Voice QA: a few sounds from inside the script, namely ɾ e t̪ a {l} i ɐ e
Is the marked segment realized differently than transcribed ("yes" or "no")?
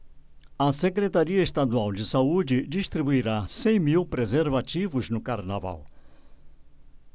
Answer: yes